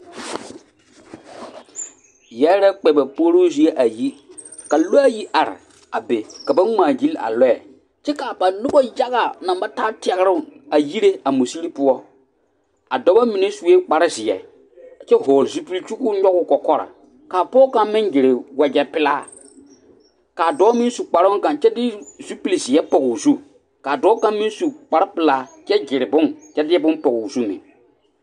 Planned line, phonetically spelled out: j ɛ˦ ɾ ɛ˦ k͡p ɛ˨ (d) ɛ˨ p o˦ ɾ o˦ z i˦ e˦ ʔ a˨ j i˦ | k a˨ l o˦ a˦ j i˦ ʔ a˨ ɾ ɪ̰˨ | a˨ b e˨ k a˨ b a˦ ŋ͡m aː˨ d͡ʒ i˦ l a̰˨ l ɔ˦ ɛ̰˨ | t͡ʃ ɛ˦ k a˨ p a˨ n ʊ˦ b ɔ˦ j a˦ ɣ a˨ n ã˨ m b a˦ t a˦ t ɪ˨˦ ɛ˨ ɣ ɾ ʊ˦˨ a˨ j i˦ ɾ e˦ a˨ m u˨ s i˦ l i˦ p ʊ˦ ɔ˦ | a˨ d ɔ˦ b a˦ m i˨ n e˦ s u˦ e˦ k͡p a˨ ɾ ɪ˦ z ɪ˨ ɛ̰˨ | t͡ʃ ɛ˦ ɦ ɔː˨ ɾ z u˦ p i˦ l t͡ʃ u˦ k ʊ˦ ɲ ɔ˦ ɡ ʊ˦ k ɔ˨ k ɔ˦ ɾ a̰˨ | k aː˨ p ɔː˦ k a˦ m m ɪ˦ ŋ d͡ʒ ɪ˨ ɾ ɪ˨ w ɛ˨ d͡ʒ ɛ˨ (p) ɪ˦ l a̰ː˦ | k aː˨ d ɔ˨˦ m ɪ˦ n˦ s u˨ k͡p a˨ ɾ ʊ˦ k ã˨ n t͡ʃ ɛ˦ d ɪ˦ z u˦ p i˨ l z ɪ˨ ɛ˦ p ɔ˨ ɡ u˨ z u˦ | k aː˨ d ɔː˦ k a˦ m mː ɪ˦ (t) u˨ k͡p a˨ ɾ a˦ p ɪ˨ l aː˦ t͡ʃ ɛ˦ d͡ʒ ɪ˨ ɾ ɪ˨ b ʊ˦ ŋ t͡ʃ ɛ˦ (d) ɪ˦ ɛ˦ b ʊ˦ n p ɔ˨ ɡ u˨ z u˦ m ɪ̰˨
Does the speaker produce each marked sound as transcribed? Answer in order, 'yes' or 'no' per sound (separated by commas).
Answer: no, yes, no, yes